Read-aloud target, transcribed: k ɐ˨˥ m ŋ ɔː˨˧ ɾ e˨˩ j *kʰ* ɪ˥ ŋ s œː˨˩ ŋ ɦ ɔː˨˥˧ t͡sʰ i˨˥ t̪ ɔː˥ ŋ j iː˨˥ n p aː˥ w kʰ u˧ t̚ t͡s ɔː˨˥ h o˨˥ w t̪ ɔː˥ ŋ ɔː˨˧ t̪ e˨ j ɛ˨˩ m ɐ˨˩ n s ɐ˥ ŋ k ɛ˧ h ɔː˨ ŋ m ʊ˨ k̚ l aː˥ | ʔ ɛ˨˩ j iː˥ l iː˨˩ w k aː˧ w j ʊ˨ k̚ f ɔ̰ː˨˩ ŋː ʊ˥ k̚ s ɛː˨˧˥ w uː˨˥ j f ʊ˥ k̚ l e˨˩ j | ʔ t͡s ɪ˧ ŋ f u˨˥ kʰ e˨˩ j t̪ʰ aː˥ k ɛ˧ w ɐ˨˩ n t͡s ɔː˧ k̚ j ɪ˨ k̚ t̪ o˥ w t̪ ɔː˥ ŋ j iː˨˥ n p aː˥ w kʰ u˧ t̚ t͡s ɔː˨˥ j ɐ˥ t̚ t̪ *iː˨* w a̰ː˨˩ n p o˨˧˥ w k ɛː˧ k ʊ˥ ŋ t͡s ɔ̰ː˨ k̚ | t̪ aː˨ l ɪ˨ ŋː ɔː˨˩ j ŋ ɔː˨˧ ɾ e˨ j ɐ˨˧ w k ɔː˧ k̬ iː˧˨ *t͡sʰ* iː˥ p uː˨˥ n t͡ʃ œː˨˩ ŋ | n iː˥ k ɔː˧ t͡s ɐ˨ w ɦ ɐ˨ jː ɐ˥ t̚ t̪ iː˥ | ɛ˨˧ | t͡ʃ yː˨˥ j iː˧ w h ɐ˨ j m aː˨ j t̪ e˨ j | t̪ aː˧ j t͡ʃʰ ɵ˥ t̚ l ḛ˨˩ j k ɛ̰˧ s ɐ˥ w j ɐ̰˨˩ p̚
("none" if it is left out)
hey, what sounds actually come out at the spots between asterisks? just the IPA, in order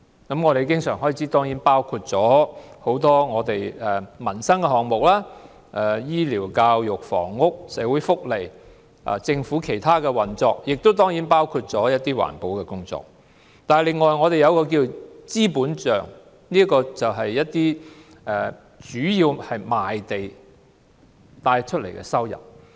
k, iː˥, t͡s

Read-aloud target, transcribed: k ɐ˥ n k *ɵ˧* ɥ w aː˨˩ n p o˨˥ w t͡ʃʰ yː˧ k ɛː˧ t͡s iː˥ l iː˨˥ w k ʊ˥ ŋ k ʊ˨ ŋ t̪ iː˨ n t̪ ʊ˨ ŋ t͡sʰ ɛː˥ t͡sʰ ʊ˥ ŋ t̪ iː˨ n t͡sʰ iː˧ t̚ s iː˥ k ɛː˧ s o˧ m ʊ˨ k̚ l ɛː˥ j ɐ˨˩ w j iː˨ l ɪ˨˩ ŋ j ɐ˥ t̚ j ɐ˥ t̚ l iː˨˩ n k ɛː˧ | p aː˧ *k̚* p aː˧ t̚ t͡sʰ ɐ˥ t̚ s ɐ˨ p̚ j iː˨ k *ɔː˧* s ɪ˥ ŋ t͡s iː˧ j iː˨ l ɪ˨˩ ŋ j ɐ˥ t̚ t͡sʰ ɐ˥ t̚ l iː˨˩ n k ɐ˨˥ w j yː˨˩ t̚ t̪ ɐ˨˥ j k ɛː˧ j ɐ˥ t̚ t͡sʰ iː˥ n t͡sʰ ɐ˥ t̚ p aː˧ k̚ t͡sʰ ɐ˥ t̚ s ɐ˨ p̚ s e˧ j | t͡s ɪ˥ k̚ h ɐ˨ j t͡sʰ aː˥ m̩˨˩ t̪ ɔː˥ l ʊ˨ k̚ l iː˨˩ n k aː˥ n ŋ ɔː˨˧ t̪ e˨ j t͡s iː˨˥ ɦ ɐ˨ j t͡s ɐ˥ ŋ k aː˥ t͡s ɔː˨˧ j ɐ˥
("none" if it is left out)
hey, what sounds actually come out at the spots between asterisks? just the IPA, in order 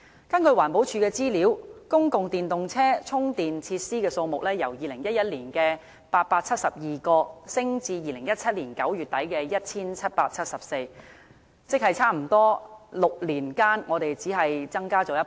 ɵ˧, t̚, ɔː˧

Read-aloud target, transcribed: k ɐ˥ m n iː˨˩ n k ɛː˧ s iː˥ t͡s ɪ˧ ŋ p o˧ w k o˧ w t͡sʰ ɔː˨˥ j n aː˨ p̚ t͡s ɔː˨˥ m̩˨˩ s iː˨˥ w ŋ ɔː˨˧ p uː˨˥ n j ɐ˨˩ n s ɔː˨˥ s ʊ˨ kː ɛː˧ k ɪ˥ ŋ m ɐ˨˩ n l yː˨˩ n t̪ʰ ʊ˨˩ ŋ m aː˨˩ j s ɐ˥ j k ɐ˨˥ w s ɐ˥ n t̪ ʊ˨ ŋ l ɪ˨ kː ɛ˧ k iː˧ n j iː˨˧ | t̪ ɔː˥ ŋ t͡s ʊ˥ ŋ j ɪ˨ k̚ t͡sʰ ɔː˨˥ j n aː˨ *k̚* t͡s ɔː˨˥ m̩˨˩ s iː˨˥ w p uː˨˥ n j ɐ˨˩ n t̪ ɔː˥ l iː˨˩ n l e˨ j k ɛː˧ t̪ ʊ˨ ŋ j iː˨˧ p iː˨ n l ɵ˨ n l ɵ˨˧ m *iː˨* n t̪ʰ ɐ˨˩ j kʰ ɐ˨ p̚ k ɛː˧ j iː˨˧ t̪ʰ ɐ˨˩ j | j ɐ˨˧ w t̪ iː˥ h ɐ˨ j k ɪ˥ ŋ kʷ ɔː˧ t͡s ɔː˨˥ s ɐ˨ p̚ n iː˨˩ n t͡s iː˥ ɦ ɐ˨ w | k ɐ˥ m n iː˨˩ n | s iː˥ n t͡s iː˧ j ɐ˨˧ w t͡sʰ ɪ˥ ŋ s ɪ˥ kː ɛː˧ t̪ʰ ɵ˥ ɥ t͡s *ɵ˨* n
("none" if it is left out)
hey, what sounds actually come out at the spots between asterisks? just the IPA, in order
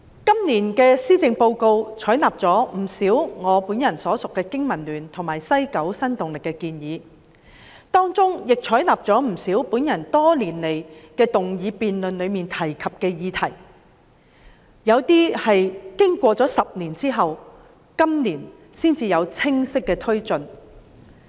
p̚, iː˨, ɵ˨

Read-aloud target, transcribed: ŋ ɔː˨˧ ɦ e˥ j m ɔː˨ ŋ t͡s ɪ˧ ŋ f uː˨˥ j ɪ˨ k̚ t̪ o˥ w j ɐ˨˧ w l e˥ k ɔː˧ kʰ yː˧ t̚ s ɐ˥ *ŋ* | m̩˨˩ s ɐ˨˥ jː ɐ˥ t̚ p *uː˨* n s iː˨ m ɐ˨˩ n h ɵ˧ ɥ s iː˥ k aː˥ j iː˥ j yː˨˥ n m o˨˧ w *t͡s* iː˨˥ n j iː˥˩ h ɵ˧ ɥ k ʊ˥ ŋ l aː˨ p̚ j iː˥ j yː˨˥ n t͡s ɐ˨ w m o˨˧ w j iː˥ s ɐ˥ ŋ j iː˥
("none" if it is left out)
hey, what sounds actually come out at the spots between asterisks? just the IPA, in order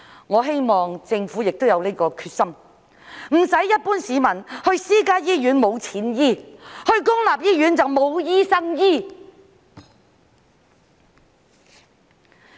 m, uː˥, t͡sʰ

